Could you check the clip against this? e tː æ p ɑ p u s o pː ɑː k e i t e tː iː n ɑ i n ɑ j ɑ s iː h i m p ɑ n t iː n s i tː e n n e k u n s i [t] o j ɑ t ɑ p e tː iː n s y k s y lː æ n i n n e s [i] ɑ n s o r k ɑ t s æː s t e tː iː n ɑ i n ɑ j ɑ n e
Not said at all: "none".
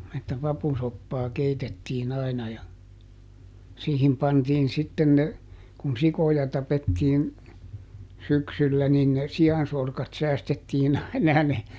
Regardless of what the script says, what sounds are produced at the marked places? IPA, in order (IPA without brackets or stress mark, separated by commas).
k, i